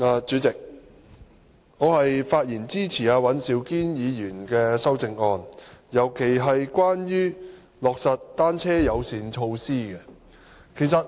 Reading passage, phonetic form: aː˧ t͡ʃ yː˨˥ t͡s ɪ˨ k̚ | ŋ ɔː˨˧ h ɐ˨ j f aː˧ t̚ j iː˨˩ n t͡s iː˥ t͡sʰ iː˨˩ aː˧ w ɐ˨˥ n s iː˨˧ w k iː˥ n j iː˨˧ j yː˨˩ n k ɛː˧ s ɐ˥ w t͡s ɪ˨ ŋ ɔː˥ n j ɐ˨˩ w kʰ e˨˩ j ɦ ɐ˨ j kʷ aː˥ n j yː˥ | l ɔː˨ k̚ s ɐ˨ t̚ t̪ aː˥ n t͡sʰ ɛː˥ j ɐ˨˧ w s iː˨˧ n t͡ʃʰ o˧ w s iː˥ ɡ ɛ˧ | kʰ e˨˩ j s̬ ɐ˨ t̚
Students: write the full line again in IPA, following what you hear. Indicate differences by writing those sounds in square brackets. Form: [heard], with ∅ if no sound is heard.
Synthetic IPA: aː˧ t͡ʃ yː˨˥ t͡s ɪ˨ k̚ | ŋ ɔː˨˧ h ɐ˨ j f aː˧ t̚ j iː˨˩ n t͡s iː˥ t͡sʰ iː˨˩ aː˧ w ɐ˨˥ n s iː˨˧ w k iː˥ n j iː˨˧ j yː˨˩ n k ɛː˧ s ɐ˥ w t͡s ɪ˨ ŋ [ɔː˧] n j ɐ˨˩ w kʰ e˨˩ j ɦ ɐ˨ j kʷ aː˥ n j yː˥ | l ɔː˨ k̚ s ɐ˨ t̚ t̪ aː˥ n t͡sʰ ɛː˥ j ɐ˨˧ w s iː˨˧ n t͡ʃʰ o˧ w s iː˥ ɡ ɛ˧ | kʰ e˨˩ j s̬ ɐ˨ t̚

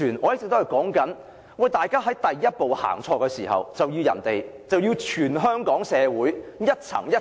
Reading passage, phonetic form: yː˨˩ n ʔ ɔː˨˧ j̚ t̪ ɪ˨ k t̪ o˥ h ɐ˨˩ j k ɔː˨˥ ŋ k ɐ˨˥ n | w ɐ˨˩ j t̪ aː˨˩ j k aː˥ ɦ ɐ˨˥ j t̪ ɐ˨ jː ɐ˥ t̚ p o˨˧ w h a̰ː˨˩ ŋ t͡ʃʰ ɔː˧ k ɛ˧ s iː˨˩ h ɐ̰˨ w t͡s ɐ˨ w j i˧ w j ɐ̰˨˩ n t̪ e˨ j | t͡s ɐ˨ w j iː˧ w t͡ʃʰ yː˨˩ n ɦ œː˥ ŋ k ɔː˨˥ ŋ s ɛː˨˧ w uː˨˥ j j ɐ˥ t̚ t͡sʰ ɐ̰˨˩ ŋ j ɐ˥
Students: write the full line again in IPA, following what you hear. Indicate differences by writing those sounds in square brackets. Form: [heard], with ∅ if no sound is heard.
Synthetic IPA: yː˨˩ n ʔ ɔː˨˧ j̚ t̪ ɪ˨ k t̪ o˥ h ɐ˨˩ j k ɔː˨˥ ŋ k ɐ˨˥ n | w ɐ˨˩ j t̪ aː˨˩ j k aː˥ ɦ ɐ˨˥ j t̪ ɐ˨ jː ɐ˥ t̚ p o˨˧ w h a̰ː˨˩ ŋ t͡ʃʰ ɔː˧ k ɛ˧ s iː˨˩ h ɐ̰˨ w t͡s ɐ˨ w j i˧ w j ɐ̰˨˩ n t̪ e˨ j | t͡s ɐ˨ w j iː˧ w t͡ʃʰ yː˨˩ n ɦ œː˥ ŋ k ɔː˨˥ ŋ s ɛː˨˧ w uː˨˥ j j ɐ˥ t̚ t͡sʰ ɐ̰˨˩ ŋ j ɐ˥

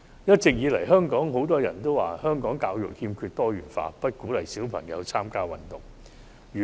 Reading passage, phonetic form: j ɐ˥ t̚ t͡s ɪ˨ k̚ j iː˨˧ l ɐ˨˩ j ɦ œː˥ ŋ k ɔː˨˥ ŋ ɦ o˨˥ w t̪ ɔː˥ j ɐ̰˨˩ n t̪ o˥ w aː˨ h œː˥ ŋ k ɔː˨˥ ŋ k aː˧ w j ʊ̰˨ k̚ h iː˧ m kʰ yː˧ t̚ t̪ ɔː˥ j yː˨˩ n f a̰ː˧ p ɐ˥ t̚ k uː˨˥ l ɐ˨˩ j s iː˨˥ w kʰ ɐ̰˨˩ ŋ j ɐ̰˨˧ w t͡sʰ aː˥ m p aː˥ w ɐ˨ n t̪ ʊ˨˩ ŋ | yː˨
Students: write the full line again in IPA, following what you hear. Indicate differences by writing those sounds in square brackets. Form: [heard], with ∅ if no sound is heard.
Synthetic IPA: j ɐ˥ t̚ t͡s ɪ˨ k̚ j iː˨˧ l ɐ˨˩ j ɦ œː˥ ŋ k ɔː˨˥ ŋ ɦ o˨˥ w t̪ ɔː˥ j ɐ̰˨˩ n t̪ o˥ w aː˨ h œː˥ ŋ k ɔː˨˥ ŋ k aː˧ w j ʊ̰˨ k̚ h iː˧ m kʰ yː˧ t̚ t̪ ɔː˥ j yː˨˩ n f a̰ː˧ p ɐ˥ t̚ k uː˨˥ l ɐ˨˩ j s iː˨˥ w [pʰ] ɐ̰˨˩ ŋ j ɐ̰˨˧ w t͡sʰ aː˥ m [k] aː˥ w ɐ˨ n t̪ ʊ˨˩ ŋ | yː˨

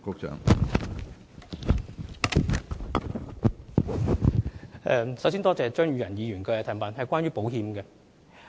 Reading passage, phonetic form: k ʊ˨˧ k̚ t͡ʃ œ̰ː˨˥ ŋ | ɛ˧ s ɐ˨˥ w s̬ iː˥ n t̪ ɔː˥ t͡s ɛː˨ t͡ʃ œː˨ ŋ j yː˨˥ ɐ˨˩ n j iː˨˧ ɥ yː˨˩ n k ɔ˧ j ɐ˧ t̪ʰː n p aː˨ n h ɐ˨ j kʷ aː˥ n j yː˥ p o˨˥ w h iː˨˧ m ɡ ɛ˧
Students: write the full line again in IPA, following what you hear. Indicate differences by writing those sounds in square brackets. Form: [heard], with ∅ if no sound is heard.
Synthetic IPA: k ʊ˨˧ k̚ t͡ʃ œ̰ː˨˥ ŋ | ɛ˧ s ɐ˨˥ w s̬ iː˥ n t̪ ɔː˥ t͡s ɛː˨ t͡ʃ [œː˥] ŋ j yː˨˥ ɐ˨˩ n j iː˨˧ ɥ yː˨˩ n k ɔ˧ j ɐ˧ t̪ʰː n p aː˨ n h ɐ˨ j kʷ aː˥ n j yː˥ p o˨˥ w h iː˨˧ m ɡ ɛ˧

